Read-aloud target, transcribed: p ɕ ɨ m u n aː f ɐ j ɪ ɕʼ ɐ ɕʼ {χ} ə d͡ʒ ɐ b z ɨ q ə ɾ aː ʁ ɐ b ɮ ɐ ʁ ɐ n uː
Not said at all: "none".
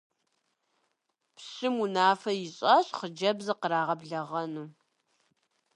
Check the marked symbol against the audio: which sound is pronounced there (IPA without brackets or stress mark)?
χ